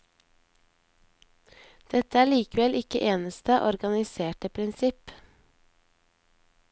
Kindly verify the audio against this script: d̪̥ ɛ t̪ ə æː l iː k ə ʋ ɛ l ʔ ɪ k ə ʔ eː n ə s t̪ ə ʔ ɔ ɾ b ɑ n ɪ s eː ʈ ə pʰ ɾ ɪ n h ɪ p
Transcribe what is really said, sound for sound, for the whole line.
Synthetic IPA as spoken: d̪̥ ɛ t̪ ə æː ɭ iː k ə ʋ ɛ l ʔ ɪ k ə ʔ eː n ə s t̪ ə ʔ ɔ ɾ ɡ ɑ n ɪ s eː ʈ ə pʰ ɾ ɪ n s ɪ p

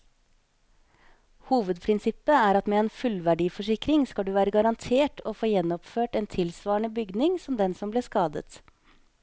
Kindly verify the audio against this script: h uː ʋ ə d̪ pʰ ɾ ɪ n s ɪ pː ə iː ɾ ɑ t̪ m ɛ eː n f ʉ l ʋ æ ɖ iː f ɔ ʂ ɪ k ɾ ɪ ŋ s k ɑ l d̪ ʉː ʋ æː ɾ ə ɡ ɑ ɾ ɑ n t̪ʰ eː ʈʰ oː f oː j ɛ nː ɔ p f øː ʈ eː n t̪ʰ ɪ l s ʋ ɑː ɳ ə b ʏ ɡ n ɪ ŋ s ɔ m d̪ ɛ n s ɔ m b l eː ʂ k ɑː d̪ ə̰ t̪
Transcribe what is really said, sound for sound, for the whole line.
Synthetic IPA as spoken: h uː ʋ ə d̪ pʰ ɾ ɪ n s ɪ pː ə æː ɾ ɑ t̪ m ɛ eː n f ʉ l ʋ æ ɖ iː f ɔ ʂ ɪ k ɾ ɪ ŋ s k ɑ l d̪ ʉː ʋ æː ɾ ə ɡ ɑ ɾ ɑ n t̪ʰ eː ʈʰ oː f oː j ɛ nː ɔ p f øː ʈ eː n t̪ʰ ɪ l s ʋ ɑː ɳ ə b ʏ ɡ n ɪ ŋ s ɔ m d̪ ɛ n s ɔ m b l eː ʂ k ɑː d̪ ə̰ t̪

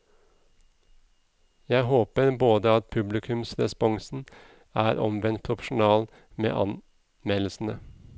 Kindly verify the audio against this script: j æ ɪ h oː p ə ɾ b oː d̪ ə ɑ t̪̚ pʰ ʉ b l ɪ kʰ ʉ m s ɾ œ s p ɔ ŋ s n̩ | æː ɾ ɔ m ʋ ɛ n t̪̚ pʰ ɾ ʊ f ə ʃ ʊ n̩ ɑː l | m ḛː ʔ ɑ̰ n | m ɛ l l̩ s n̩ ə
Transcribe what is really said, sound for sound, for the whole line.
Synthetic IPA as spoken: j æ ɪ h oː p ə ɾ b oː d̪ ə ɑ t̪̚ pʰ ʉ b l ɪ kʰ ʉ m s ɾ ɛ s p ɔ ŋ s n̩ | æː ɾ ɔ m ʋ ɛ n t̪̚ pʰ ɾ ʊ f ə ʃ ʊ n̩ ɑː l | m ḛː ʔ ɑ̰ n | m ɛ l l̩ s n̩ ə

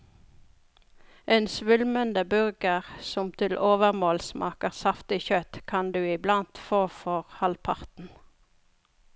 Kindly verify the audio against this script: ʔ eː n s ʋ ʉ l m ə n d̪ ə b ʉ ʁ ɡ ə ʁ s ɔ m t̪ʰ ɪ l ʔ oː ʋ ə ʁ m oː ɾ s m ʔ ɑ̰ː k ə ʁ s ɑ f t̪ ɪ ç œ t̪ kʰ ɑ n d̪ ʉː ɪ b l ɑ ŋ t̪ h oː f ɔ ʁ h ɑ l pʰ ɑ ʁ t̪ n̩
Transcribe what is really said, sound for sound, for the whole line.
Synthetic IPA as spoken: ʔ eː n s ʋ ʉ l m ə n d̪ ə b ʉ ʁ ɡ ə ʁ s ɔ m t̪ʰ ɪ l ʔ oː ʋ ə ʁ m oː l s m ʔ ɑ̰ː k ə ʁ s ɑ f t̪ ɪ ç œ t̪ kʰ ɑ n d̪ ʉː ɪ b l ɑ n t̪ f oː f ɔ ʁ h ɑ l pʰ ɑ ʁ t̪ n̩

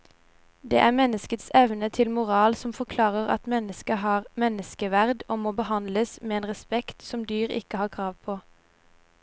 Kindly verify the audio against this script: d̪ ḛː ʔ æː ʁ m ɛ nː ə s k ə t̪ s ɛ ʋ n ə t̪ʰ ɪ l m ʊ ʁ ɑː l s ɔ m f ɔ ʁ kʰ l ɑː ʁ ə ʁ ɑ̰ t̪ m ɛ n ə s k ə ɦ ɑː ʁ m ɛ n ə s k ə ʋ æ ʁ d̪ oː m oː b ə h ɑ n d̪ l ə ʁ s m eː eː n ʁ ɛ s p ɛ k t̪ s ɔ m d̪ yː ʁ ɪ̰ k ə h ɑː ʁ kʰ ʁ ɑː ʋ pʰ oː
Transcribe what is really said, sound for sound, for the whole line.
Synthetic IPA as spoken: d̪ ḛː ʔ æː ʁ m ɛ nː ə s k ə t̪ s ɛ ʋ n ə t̪ʰ ɪ l m ʊ ʁ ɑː l s ɔ m f ɔ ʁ kʰ l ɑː ʁ ə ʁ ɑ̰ t̪ m ɛ n ə s k ə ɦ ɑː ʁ m ɛ n ə s k ə ʋ æ ʁ d̪ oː m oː b ə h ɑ n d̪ l ə s m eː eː n ʁ ɛ s p ɛ k t̪ s ɔ m d̪ yː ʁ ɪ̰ k ə h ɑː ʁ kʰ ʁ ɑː ʋ pʰ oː

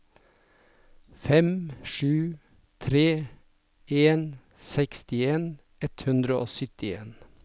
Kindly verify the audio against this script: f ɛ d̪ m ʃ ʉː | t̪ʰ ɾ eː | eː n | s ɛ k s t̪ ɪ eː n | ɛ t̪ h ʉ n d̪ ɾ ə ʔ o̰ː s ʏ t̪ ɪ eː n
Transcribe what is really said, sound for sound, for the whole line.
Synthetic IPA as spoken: f ɛ m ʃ ʉː | t̪ʰ ɾ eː | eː n | s ɛ k s t̪ ɪ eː n | ɛ t̪ h ʉ n d̪ ɾ ə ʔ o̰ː s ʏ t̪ ɪ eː n

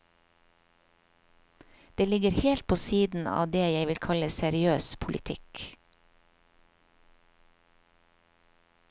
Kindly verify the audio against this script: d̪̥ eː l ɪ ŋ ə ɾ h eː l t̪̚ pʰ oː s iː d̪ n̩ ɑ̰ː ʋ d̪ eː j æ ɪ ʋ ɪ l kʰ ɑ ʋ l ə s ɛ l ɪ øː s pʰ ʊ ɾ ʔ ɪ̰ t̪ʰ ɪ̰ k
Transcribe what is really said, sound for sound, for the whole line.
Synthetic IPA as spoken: d̪̥ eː l ɪ ɡ ə ɾ h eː l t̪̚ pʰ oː s iː d̪ n̩ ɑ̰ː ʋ d̪ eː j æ ɪ ʋ ɪ l kʰ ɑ l ə s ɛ ɾ ɪ øː s pʰ ʊ l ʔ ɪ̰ t̪ʰ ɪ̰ k

